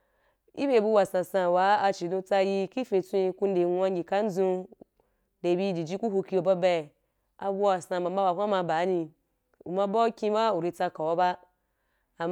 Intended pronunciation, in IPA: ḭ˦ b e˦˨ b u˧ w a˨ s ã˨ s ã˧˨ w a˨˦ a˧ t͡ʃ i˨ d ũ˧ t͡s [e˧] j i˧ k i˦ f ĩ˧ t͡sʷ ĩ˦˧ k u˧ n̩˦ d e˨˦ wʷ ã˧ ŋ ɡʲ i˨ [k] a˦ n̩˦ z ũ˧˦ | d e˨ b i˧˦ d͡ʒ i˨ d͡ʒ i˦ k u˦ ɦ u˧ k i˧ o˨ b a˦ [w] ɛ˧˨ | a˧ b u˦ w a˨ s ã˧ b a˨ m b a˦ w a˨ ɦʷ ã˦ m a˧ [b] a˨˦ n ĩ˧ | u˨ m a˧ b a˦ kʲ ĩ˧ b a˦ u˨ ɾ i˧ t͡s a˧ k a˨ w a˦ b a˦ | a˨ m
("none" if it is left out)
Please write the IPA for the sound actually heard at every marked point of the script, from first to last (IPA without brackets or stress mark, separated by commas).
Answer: a˧, k, b, b